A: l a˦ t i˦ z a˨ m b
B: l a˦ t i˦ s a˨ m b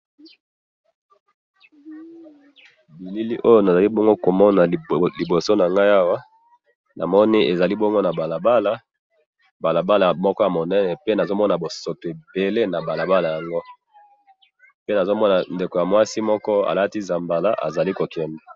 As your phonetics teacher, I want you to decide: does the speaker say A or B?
A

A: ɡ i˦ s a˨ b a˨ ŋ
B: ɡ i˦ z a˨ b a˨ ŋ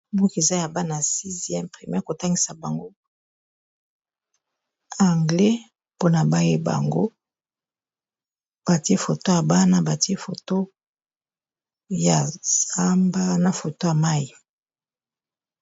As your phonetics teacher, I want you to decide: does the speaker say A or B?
A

